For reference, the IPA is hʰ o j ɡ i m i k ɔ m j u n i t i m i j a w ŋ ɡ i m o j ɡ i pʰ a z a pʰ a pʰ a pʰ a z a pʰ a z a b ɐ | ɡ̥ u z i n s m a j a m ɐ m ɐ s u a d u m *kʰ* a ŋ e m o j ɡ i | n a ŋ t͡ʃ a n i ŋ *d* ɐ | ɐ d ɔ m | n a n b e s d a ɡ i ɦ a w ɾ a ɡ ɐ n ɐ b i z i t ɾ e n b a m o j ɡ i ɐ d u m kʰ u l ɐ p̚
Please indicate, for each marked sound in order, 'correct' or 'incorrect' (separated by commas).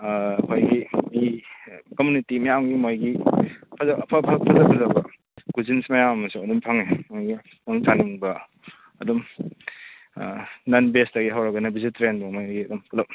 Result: incorrect, incorrect